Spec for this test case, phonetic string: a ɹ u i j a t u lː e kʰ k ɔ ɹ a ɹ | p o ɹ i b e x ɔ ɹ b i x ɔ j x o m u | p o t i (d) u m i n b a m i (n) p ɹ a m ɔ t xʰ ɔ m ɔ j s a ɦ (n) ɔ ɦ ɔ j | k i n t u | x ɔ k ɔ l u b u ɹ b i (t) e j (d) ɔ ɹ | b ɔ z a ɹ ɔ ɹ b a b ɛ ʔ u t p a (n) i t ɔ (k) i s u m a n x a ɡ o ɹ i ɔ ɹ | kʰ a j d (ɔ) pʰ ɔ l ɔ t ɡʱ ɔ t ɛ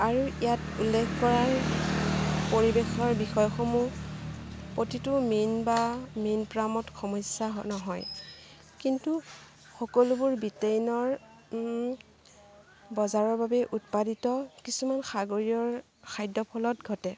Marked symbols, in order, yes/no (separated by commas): no, yes, yes, yes, no, no, yes, yes